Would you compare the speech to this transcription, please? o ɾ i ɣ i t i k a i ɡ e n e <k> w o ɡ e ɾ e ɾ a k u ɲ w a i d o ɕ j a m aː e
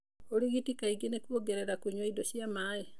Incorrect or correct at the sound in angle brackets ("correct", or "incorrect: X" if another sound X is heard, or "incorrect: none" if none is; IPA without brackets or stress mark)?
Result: correct